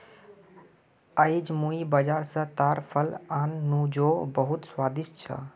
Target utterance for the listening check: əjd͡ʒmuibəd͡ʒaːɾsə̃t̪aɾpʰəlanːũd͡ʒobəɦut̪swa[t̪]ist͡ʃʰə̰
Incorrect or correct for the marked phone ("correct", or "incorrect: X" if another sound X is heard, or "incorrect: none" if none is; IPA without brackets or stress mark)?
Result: incorrect: d̪